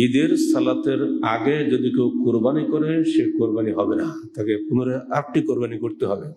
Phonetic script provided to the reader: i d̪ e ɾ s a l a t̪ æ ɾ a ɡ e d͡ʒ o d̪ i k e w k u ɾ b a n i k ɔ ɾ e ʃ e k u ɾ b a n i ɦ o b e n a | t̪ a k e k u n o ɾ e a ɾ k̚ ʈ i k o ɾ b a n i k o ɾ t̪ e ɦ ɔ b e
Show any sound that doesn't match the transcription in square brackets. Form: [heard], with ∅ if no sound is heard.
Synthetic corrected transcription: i d̪ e ɾ s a l a t̪ [e] ɾ a ɡ e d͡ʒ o d̪ i k e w k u ɾ b a n i k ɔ ɾ e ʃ e k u ɾ b a n i ɦ [ɔ] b e n a | t̪ a k e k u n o ɾ e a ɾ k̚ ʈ i k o ɾ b a n i k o ɾ t̪ e ɦ ɔ b e